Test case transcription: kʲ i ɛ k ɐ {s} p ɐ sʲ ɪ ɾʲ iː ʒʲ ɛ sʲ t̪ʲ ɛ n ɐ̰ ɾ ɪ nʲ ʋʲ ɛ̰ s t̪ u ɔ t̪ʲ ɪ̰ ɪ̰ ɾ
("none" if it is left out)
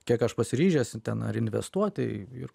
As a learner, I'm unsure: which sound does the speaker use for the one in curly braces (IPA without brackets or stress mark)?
ʃ